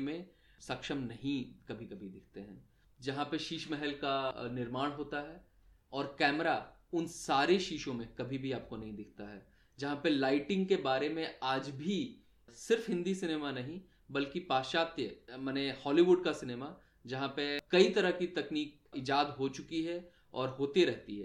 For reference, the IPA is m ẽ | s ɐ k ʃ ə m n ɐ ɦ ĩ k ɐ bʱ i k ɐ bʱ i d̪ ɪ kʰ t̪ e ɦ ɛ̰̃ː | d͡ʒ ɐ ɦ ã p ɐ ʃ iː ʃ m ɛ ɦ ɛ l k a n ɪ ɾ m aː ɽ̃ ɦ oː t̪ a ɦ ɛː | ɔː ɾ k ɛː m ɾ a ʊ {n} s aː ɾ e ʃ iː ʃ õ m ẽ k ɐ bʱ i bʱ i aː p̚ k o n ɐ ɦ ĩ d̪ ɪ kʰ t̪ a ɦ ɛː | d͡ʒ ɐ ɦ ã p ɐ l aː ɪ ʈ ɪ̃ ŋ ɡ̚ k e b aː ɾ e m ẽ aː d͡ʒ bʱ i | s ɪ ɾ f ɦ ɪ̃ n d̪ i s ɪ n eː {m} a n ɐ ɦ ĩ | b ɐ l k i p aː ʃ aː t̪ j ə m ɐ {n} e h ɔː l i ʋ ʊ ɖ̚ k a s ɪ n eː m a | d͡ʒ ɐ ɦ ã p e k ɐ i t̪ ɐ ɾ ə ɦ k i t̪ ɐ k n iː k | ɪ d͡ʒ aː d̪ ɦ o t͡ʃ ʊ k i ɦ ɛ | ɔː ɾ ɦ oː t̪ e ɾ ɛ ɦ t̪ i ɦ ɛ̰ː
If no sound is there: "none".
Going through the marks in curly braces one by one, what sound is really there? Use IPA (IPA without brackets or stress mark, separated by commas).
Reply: n, m, n